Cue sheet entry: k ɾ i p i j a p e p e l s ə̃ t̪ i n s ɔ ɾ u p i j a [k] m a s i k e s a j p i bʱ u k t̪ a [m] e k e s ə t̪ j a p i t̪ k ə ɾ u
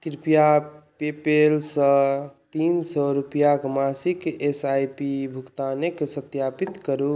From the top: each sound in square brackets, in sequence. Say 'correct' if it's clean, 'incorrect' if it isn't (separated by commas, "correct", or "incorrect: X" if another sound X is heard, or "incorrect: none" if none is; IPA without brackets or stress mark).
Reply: correct, incorrect: n